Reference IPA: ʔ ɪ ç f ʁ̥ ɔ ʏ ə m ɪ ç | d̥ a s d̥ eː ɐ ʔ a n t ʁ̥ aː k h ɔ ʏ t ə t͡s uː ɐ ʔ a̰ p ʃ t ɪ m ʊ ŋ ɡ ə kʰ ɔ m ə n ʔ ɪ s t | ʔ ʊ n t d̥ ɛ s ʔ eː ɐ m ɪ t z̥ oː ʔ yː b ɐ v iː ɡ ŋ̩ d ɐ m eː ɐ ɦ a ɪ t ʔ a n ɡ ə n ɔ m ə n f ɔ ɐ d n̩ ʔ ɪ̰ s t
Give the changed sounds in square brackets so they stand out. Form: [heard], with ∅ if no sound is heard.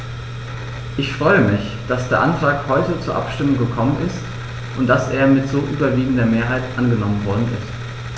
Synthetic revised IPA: ʔ ɪ ç f ʁ̥ ɔ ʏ ə m ɪ ç | d̥ a s d̥ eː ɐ ʔ a n t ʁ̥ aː k h ɔ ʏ t ə t͡s uː ɐ ʔ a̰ p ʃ t ɪ m ʊ ŋ ɡ ə kʰ ɔ m ə n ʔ ɪ s t | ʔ ʊ n t d̥ [a] s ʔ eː ɐ m ɪ t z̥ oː ʔ yː b ɐ v iː ɡ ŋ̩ d ɐ m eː ɐ ɦ a ɪ t ʔ a n ɡ ə n ɔ m ə n [v] ɔ ɐ d n̩ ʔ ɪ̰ s t